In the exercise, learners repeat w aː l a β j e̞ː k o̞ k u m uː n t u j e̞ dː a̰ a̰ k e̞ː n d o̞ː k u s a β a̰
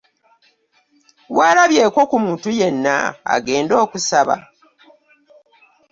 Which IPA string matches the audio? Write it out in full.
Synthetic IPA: w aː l a β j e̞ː k o̞ k u m uː n t u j e̞ nː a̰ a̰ ɡ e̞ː n d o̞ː k u s a β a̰